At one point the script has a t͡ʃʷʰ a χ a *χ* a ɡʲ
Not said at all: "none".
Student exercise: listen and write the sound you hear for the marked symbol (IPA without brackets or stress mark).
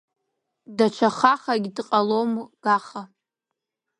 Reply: χ